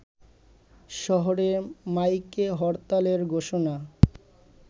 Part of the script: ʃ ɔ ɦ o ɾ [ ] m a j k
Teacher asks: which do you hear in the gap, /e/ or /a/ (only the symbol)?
e